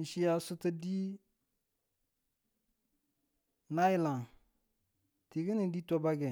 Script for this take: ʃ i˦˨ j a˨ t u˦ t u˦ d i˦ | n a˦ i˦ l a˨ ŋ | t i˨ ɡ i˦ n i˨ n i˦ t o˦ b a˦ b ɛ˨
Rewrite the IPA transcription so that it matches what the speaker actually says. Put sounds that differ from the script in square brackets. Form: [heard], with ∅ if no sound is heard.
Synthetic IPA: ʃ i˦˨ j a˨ [s] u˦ t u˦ d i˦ | n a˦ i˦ l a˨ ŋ | t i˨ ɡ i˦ n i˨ [d] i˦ t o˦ b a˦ [ɡ] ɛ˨

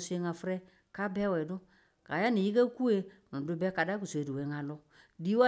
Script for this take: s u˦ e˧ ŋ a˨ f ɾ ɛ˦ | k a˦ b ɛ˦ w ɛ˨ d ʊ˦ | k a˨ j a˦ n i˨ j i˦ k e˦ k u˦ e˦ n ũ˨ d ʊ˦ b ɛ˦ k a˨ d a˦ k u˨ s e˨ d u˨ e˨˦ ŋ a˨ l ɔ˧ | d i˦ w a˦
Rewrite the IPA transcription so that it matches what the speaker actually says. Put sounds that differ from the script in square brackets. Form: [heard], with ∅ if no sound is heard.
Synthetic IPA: s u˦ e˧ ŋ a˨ f ɾ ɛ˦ | k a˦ b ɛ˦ w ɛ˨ d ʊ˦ | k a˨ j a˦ n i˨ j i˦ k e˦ k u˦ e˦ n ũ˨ d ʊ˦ b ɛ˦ k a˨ d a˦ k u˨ s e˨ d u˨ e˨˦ ŋ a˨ l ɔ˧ | d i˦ w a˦

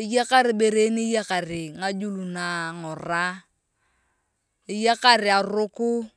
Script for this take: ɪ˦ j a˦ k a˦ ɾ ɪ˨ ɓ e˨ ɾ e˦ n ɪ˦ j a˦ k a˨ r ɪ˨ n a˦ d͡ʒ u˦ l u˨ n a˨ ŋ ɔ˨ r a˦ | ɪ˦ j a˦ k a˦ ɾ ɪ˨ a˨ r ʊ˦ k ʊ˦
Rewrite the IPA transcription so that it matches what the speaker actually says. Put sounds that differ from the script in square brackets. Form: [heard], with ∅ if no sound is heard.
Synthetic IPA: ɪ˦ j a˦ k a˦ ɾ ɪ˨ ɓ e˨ ɾ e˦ n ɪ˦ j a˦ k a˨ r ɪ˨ [ŋ] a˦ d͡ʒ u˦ l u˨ n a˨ ŋ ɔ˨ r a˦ | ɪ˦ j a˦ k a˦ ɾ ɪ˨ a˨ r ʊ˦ k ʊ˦

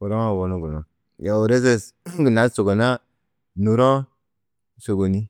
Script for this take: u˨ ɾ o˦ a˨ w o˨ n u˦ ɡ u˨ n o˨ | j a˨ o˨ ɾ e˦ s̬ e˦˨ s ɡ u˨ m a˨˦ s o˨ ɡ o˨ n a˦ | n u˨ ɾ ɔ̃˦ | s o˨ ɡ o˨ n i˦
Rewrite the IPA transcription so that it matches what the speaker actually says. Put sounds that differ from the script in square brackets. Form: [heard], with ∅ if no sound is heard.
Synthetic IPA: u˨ ɾ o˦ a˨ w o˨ n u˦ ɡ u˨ n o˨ | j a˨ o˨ ɾ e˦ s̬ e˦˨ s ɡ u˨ [n] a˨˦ s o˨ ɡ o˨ n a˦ | n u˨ ɾ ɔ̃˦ | s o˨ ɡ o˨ n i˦

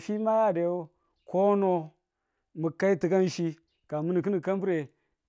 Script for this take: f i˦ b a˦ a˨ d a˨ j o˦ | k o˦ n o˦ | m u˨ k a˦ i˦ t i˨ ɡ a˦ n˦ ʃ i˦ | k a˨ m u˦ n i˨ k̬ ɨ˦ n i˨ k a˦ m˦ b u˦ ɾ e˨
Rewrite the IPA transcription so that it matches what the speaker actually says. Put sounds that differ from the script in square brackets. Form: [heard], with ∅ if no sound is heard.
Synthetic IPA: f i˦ [m] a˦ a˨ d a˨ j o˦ | k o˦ n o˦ | m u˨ k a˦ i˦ t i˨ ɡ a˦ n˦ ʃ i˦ | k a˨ m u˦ n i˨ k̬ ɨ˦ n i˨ k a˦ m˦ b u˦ ɾ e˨

